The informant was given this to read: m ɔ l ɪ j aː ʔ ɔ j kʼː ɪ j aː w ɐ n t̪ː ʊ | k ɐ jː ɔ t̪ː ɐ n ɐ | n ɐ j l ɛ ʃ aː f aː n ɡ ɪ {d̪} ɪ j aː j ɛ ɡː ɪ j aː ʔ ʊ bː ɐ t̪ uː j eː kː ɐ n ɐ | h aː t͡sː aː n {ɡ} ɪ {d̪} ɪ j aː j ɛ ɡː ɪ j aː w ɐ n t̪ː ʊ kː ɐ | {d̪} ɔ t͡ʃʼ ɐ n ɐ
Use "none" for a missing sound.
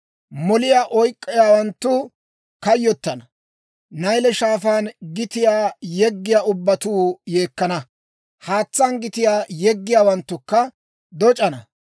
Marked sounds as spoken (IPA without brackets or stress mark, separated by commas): t̪, ɡ, t̪, d̪